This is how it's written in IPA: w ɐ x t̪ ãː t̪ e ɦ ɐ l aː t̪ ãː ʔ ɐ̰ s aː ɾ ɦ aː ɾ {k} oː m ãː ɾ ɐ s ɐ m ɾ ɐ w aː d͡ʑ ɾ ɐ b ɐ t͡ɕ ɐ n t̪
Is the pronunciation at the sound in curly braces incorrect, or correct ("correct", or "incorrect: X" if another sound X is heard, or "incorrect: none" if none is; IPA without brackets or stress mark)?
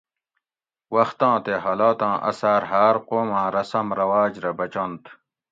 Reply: incorrect: q